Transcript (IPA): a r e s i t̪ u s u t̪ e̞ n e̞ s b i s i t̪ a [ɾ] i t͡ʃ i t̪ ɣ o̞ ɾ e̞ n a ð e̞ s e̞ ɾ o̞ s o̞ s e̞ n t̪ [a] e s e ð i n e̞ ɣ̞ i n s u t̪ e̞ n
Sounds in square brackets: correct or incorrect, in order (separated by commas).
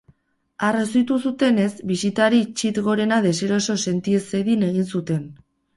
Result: correct, incorrect